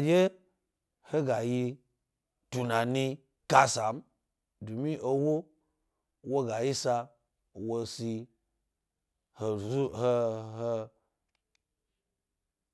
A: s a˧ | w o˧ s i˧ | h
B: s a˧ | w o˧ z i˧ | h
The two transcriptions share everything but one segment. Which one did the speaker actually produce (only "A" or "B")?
A